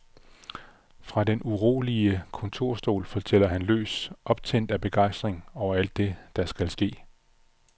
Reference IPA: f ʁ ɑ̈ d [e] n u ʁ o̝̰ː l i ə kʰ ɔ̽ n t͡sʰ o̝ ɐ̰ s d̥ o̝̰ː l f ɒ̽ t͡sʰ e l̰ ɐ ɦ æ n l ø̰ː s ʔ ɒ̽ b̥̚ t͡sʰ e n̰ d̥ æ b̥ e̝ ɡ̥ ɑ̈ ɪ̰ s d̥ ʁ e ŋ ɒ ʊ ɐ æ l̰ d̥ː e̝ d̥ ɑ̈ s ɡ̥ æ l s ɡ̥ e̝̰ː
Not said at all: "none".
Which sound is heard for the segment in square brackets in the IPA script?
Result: e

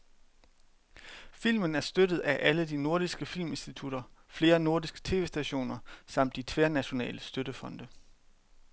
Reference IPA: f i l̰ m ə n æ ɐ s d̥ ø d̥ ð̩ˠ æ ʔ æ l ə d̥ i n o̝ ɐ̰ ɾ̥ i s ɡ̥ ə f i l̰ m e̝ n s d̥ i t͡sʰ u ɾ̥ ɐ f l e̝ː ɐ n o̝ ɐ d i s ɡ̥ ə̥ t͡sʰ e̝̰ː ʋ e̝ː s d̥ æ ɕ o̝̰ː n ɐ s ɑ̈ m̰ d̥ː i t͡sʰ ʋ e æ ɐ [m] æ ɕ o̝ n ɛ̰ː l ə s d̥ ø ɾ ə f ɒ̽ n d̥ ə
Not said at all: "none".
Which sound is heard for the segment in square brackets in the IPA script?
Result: n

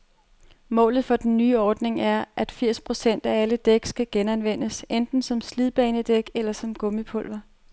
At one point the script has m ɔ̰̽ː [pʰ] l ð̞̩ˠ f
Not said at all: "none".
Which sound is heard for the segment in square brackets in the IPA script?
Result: none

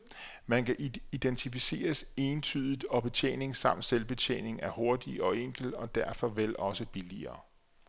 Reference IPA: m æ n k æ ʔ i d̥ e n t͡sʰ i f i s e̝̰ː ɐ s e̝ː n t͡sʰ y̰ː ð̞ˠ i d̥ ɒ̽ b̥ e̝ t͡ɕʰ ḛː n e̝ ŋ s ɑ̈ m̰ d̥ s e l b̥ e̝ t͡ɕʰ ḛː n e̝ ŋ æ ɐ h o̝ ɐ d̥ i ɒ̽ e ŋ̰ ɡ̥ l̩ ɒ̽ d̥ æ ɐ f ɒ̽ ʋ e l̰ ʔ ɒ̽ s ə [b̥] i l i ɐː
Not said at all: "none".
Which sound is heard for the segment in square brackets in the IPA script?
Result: b̥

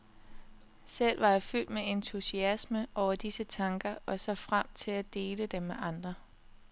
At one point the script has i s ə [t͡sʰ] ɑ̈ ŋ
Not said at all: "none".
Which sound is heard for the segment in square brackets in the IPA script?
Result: t͡sʰ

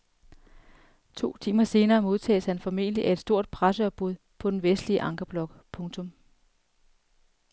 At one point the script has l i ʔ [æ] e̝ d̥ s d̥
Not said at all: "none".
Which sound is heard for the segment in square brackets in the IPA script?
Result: æ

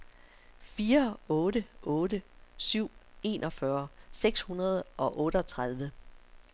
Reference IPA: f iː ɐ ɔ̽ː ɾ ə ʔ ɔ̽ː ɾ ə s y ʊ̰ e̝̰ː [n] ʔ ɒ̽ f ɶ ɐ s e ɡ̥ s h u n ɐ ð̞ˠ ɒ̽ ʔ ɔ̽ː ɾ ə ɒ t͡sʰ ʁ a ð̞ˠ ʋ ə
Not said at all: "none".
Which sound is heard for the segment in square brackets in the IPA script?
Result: n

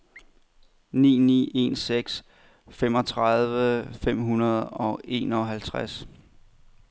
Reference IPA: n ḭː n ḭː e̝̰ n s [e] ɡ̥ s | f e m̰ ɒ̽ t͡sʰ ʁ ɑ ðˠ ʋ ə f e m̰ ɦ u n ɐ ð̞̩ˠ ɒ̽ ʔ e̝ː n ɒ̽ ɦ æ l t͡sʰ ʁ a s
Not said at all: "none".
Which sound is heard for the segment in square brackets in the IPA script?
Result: e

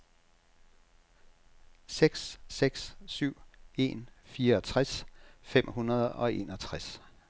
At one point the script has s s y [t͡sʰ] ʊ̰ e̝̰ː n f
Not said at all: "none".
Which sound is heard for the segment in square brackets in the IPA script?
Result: none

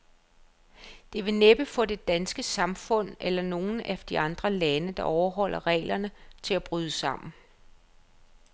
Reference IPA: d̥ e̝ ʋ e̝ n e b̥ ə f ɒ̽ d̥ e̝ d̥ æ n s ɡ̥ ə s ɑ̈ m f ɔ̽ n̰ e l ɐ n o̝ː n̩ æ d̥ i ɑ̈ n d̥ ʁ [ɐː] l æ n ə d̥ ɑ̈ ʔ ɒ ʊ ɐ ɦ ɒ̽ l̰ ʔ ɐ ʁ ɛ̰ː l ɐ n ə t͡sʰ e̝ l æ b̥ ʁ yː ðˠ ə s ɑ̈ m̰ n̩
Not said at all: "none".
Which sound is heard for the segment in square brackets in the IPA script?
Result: ɐ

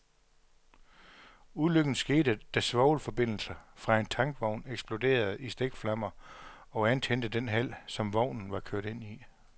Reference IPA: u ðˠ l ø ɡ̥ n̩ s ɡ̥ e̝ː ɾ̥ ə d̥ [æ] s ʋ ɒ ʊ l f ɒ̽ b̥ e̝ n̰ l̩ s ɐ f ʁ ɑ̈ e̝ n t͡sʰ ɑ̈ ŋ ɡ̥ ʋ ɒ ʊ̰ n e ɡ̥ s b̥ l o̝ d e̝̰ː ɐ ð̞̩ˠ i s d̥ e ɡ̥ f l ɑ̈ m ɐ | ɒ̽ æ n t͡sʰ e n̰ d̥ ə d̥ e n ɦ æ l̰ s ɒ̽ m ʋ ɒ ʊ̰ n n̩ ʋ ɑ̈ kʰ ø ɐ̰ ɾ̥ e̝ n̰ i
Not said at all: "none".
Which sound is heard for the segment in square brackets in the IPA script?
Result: æ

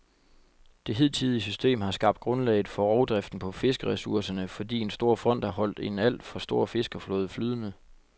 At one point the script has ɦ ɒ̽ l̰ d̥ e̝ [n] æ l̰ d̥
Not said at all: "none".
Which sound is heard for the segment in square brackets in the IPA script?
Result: n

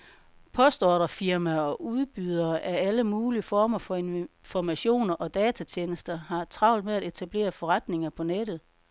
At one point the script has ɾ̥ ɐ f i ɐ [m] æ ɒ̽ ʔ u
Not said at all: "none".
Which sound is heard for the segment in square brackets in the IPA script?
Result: m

